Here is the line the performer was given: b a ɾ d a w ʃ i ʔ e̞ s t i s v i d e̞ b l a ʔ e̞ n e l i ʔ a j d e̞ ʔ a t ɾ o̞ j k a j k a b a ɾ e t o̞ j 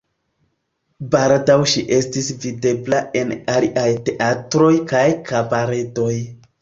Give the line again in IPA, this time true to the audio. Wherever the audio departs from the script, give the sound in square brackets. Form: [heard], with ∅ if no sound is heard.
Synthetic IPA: b a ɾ d a w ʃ i ʔ e̞ s t i s v i d e̞ b l a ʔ e̞ n [a] l i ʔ a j [t] e̞ ʔ a t ɾ o̞ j k a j k a b a ɾ e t o̞ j